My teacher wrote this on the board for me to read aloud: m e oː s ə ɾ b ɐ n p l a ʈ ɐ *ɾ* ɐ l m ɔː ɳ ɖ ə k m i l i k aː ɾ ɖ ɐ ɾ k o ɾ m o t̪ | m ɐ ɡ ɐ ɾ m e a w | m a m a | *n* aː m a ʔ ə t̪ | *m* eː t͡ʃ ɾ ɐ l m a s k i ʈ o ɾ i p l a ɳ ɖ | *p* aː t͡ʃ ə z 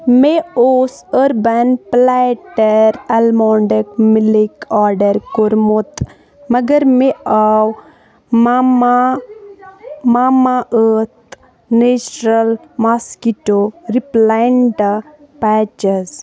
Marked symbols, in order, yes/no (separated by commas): yes, no, no, yes